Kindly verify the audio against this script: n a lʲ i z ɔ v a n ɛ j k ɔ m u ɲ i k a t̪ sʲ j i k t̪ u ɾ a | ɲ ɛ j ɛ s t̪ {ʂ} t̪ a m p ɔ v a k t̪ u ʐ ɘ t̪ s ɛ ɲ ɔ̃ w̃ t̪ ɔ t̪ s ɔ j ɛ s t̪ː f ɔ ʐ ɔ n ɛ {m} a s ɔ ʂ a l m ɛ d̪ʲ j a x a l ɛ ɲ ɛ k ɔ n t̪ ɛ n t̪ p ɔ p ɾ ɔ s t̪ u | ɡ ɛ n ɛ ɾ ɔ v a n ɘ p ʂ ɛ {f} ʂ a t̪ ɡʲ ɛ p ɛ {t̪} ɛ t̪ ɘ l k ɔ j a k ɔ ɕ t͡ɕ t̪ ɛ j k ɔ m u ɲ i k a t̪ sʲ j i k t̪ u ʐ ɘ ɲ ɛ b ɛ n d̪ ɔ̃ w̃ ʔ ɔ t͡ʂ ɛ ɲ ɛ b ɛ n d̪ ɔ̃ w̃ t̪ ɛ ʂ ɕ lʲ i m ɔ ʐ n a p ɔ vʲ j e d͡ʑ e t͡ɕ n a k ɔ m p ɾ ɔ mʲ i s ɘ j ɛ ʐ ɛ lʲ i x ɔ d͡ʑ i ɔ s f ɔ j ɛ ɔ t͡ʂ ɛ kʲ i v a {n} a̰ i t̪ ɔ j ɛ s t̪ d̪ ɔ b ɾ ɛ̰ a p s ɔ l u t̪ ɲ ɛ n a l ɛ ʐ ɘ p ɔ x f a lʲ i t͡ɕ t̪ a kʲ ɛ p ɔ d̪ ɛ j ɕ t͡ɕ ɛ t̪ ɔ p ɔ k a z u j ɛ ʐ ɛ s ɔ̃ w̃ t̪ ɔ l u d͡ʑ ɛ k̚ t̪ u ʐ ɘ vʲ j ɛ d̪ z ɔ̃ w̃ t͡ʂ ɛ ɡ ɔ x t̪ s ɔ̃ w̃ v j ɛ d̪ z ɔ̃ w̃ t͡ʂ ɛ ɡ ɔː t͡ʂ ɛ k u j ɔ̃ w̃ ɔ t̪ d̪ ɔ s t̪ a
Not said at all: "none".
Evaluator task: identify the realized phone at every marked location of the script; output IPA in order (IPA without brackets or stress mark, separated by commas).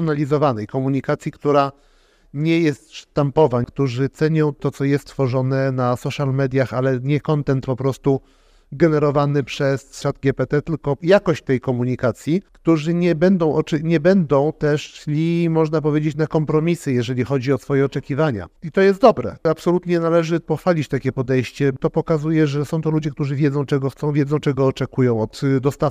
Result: ʂ, n, s, t̪, ɲ